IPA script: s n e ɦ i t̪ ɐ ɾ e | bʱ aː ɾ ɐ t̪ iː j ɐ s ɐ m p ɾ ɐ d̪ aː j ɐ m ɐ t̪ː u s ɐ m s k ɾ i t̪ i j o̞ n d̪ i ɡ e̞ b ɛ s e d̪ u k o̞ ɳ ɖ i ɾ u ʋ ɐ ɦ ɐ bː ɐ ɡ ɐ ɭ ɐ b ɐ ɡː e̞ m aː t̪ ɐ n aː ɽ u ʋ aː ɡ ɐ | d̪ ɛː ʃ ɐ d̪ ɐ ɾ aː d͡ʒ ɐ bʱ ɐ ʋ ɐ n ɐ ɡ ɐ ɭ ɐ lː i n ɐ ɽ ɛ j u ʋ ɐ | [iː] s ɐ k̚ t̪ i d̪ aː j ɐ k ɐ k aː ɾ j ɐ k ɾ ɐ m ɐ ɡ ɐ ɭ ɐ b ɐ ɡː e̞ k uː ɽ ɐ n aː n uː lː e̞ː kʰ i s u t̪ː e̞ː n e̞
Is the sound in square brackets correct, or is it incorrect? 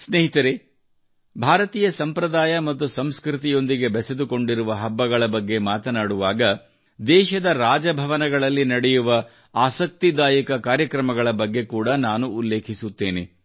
incorrect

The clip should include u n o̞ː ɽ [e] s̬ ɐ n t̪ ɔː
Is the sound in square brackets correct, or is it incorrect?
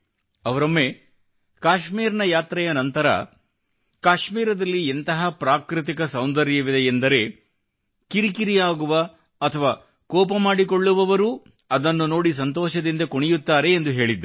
incorrect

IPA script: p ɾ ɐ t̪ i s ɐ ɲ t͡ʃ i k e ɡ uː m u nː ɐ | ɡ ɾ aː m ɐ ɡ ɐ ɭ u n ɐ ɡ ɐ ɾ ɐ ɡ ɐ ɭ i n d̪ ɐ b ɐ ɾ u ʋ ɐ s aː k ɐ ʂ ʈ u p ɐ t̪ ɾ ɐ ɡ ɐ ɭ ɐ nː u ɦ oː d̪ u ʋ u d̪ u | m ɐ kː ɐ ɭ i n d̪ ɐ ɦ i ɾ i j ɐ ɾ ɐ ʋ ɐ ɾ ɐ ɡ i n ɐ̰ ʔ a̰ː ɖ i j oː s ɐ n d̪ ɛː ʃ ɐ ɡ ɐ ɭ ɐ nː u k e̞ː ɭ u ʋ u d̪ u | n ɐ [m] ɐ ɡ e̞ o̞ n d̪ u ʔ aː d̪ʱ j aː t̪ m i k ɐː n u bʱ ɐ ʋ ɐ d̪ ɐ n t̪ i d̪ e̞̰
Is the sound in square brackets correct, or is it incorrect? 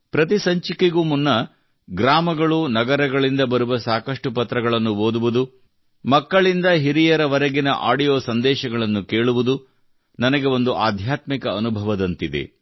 incorrect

